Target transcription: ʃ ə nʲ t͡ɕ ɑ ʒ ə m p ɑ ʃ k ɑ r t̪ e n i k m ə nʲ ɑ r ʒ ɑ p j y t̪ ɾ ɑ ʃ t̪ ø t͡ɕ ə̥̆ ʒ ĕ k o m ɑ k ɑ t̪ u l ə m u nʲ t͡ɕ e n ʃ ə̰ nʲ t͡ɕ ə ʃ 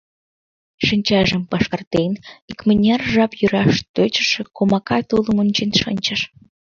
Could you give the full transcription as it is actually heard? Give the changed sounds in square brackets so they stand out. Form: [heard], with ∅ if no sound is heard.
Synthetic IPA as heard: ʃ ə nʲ t͡ɕ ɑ ʒ ə m p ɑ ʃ k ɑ r t̪ e n i k m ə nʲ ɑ r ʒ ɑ p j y [∅] ɾ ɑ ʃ t̪ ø t͡ɕ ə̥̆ [ʃ] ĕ k o m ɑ k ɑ t̪ u l ə m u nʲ t͡ɕ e n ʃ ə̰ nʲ t͡ɕ ə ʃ